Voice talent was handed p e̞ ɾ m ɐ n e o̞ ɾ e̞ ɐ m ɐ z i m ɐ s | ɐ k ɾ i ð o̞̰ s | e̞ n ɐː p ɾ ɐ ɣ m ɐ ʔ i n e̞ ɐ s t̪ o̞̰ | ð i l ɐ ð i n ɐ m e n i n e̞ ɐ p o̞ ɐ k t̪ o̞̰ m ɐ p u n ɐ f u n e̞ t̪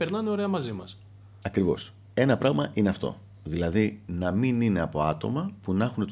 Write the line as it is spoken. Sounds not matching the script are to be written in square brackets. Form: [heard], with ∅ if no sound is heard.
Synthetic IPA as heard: p e̞ ɾ [n] ɐ n e o̞ ɾ e̞ ɐ m ɐ z i m ɐ s | ɐ k ɾ i [v] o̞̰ s | e̞ n [ɐ] p ɾ ɐ ɣ m ɐ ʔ i n e̞ ɐ [f] t̪ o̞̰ | ð i l ɐ ð i n ɐ m [i] n i n e̞ ɐ p o̞ ɐ [∅] t̪ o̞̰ m ɐ p u n ɐ [x] u n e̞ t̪